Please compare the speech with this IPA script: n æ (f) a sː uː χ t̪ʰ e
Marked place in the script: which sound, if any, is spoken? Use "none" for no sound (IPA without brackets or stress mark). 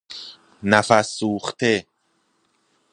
f